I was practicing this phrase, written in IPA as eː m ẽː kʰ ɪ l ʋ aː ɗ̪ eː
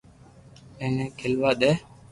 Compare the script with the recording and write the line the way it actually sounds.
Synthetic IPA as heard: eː n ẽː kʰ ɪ l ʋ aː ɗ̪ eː